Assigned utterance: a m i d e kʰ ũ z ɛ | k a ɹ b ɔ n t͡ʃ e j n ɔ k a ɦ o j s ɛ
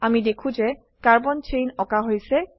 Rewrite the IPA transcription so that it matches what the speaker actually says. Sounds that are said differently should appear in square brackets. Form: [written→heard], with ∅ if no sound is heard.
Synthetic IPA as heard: a m i d e kʰ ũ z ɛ | k a ɹ b ɔ n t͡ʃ e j n ɔ k a ɦ o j s ɛ

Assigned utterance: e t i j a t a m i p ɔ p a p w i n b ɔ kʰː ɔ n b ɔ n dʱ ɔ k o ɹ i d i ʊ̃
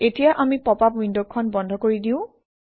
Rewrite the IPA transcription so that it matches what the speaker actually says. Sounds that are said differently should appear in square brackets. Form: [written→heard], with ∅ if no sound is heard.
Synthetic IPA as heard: e t i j a [t→ʔ] a m i p ɔ p a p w i n [b→d] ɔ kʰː ɔ n b ɔ n dʱ ɔ k o ɹ i d i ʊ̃

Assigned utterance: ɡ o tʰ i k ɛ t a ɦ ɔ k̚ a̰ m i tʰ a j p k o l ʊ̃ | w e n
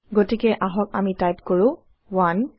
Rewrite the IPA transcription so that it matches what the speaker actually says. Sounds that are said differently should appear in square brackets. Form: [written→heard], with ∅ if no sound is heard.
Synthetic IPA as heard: ɡ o [tʰ→t] i k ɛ [t→ʔ] a ɦ ɔ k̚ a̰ m i [tʰ→t] a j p k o [l→ɹ] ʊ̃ | w [e→a] n

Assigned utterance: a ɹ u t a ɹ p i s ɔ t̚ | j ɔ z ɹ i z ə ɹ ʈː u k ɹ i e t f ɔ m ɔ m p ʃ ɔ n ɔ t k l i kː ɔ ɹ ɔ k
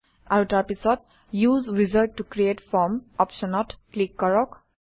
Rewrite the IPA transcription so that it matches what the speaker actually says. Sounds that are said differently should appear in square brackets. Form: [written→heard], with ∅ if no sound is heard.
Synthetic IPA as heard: a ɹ u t a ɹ p i s ɔ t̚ | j [ɔ→u] z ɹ i z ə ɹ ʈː u k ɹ i e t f ɔ m ɔ [m→∅] p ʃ ɔ n ɔ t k l i kː ɔ ɹ ɔ k

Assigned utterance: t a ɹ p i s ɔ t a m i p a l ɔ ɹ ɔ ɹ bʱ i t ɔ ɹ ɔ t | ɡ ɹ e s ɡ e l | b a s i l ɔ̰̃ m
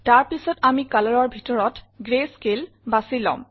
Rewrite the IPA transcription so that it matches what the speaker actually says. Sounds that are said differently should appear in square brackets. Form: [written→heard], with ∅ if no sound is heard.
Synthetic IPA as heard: t a ɹ p i s ɔ t a m i [p→k] a l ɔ ɹ ɔ ɹ bʱ i t ɔ ɹ ɔ t | ɡ ɹ e s [ɡ→k] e l | b a s i l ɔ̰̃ m

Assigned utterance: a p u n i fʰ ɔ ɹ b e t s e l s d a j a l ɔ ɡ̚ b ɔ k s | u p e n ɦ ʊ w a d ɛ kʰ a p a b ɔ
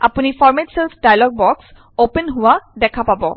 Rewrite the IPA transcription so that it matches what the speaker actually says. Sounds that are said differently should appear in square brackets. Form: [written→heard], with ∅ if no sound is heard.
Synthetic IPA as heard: a p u n i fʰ ɔ ɹ [b→m] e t s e l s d a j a l ɔ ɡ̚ b ɔ k s | [u→o] p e n ɦ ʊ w a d ɛ kʰ a p a b ɔ

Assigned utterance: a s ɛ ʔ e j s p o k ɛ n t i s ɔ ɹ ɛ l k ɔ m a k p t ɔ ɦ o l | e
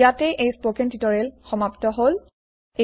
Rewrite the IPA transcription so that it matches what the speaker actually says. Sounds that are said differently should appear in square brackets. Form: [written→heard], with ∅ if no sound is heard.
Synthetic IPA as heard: a [s→t] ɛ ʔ e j s p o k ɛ n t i [s→t] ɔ ɹ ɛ l [k→x] ɔ m a [k→∅] p t ɔ ɦ o l | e

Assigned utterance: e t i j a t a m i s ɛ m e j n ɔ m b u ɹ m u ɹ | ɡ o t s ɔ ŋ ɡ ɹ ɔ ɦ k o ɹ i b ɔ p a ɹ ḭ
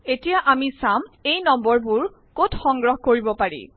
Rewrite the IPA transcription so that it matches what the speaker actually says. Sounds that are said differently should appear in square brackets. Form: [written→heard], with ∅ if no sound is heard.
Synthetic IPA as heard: e t i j a [t→ʔ] a m i s [ɛ→a] m e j n ɔ m b [u→ɔ] ɹ [m→b] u ɹ | [ɡ→k] o t [s→x] ɔ ŋ ɡ ɹ ɔ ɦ k o ɹ i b ɔ p a ɹ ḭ

